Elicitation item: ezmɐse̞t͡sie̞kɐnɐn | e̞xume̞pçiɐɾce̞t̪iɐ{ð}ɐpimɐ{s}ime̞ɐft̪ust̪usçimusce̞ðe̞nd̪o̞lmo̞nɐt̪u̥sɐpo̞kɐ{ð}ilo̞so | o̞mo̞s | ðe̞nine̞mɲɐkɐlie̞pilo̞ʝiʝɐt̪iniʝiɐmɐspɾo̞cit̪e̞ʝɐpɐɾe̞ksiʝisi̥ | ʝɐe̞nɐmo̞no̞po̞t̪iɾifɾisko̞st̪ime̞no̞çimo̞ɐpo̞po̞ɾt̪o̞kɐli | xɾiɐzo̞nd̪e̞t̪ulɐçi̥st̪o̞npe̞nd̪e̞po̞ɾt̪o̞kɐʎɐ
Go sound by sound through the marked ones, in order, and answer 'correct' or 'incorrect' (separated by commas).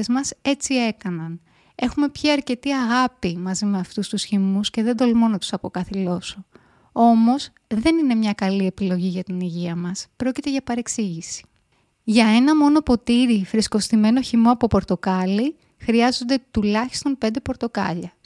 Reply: incorrect, incorrect, incorrect